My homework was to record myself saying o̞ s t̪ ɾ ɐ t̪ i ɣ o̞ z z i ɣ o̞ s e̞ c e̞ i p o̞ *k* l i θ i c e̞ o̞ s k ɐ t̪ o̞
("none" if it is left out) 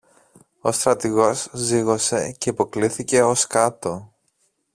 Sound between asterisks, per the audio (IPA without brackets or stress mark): k